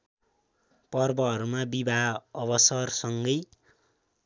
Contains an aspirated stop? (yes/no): no